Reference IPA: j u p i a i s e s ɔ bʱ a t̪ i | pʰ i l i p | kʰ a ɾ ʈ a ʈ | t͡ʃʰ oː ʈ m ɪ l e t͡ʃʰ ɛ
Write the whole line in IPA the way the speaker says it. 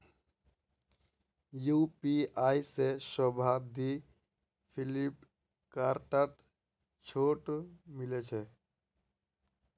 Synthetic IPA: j u p i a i s e s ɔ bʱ a d̪ i | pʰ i l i p | k a ɾ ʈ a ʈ | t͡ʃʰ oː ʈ m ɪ l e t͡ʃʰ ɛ